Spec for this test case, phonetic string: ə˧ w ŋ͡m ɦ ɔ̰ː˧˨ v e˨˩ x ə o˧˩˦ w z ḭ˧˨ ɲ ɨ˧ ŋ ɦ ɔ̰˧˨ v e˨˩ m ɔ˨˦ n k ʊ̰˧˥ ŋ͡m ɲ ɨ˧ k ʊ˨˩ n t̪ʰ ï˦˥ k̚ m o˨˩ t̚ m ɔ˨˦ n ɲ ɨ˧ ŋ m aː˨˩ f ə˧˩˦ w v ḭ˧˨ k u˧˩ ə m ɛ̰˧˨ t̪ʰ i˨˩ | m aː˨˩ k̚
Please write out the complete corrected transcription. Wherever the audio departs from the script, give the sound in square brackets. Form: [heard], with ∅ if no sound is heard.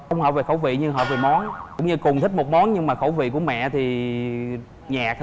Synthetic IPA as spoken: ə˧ w ŋ͡m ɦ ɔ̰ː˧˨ v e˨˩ x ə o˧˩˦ w [v] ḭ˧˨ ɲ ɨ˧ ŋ ɦ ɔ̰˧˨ v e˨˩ m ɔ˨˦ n k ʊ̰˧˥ ŋ͡m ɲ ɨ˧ k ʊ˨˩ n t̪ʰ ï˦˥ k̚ m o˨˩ t̚ m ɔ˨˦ n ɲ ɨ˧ ŋ m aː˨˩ [x] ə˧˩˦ w v ḭ˧˨ k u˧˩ ə m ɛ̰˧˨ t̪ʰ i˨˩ | [ɲ] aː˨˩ k̚